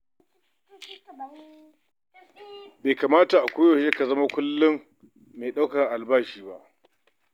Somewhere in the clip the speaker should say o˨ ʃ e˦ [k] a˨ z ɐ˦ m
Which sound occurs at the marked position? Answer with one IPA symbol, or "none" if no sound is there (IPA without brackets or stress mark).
k